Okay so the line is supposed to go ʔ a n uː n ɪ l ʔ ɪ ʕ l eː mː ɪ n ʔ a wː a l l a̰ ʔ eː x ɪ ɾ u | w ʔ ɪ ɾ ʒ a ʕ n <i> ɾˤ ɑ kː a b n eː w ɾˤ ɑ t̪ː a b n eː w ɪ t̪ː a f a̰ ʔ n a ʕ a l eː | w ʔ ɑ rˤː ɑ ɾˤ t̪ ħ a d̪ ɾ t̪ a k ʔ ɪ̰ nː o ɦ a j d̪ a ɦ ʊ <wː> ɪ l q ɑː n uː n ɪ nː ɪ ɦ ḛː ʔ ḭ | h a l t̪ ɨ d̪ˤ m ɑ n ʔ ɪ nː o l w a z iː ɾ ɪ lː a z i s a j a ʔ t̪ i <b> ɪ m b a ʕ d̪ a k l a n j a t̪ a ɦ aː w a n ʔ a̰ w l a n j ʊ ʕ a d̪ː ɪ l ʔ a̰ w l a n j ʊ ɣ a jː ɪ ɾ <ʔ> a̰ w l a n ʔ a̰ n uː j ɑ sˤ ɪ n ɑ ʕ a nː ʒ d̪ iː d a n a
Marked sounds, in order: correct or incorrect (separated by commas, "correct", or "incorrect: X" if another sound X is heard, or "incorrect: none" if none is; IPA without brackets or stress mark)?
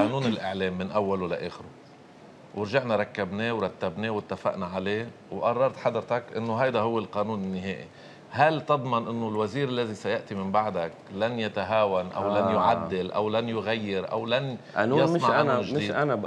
incorrect: a, correct, incorrect: m, correct